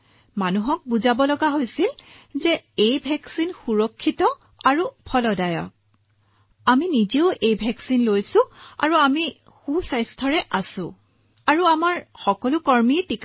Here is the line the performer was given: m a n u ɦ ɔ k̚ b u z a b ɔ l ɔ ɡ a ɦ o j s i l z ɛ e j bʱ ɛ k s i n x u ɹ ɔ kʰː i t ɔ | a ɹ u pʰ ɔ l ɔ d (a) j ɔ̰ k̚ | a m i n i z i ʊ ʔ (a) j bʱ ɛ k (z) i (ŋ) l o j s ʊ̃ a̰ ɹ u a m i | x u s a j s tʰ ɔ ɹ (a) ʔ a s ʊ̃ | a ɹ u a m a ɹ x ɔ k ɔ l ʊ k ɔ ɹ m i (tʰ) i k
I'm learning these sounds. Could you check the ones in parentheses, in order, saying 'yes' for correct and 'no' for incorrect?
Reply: yes, no, no, no, no, no

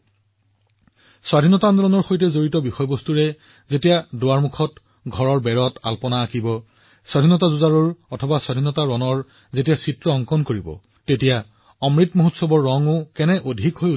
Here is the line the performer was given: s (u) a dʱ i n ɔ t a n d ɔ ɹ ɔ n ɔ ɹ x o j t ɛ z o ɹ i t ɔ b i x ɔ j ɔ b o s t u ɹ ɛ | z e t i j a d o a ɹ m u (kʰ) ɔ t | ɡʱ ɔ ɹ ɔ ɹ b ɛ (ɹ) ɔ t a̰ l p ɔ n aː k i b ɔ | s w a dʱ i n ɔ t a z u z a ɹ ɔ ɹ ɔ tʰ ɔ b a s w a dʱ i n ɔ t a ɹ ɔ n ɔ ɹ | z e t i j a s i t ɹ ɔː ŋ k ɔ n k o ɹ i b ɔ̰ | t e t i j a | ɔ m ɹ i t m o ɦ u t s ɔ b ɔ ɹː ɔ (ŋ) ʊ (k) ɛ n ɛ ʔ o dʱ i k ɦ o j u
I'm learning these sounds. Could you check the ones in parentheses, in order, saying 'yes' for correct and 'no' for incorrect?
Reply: no, yes, yes, yes, yes

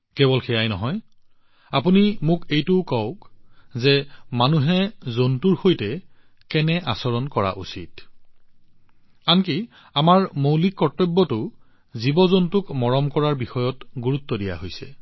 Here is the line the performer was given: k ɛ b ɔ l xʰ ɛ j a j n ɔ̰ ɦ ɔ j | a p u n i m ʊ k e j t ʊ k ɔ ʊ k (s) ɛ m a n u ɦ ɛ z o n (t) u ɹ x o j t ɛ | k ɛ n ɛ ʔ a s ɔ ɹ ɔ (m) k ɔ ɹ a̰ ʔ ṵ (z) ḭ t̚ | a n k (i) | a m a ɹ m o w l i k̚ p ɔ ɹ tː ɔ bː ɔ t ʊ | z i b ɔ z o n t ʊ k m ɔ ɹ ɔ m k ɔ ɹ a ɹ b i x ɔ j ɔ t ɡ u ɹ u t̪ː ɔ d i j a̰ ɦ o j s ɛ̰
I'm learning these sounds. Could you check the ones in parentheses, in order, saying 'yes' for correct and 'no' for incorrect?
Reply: no, yes, no, no, yes

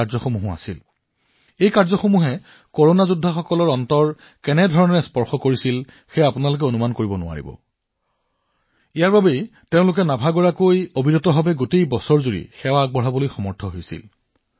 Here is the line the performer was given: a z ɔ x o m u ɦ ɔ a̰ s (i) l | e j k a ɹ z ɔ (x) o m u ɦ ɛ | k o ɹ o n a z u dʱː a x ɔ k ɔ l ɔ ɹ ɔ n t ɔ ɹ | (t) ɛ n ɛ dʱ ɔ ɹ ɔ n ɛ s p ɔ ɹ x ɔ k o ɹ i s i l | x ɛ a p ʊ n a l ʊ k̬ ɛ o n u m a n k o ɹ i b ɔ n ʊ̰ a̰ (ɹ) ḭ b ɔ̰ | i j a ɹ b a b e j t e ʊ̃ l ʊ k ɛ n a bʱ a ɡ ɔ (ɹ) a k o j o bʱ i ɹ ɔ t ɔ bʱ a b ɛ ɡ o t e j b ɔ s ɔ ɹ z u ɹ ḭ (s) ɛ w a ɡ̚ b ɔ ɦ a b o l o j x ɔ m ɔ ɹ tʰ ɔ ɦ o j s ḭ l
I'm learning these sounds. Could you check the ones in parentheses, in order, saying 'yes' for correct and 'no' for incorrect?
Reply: yes, yes, no, yes, yes, no

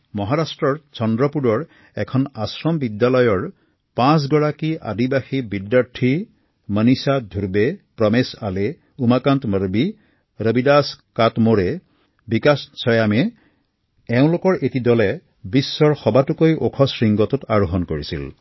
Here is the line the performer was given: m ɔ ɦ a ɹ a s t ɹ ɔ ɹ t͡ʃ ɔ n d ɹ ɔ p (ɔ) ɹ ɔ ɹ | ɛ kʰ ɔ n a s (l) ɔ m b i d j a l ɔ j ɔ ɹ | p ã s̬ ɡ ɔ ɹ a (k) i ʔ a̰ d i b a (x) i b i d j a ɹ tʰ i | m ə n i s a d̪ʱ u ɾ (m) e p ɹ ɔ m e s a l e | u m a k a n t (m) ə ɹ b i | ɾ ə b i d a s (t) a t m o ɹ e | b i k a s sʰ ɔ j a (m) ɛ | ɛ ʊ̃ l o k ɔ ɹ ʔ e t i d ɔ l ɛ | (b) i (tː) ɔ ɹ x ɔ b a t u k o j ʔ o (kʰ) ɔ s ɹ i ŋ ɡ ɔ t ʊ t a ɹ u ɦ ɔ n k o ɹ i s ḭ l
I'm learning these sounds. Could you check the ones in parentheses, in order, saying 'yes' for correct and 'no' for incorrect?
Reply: no, no, yes, yes, no, yes, no, yes, yes, no, yes

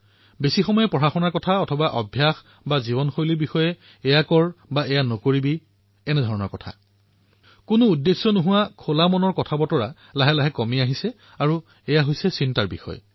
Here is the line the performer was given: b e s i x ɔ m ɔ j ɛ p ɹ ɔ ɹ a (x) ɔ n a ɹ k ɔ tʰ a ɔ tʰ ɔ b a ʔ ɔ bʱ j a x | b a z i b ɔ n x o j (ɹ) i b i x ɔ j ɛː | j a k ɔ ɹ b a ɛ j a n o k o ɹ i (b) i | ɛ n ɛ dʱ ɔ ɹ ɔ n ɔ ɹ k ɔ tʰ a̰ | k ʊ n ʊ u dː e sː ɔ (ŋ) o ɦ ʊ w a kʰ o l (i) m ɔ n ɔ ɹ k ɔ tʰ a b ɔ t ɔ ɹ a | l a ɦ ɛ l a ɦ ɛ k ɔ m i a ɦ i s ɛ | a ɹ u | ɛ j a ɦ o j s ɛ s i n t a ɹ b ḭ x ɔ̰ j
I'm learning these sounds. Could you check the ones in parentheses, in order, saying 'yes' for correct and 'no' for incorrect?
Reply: yes, no, yes, no, no

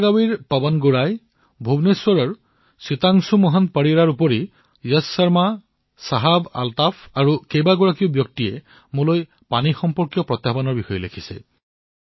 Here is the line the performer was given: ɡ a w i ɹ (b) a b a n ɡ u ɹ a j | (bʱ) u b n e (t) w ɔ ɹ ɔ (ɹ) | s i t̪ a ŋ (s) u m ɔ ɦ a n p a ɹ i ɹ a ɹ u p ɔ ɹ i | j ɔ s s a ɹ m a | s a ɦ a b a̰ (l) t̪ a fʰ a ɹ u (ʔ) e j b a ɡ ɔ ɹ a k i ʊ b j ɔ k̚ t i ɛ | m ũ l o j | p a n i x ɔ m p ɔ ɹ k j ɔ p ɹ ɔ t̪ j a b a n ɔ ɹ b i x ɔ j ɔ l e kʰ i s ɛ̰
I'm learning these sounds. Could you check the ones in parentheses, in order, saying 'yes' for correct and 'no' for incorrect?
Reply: no, yes, no, yes, yes, yes, no

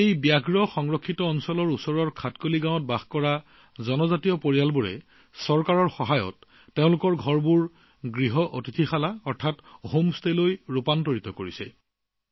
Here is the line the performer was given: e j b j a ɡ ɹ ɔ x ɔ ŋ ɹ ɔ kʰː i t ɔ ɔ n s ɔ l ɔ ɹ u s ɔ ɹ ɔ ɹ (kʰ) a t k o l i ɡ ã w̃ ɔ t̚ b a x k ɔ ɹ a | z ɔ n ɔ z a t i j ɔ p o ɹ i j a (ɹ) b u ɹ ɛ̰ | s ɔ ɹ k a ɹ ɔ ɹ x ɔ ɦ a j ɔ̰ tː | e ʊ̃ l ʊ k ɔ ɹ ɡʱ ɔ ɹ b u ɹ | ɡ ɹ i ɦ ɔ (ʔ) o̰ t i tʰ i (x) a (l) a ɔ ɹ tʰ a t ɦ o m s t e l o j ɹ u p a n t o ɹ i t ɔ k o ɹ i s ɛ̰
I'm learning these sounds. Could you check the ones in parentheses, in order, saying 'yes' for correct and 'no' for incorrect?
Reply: yes, no, yes, yes, yes

